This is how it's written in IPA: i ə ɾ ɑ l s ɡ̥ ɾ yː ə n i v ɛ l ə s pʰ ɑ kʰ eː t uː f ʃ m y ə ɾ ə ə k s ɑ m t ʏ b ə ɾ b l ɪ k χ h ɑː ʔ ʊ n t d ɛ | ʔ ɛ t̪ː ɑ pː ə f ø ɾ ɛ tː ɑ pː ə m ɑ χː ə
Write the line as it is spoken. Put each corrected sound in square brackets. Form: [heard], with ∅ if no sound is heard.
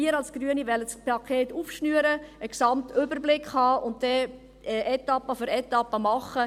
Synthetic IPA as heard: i ə ɾ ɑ l s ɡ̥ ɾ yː ə n i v ɛ l ə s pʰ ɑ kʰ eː t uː f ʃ [n] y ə ɾ ə ə k s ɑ m t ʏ b ə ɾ b l ɪ k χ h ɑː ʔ ʊ n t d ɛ | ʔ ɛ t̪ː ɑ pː ə f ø ɾ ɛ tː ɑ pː ə m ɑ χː ə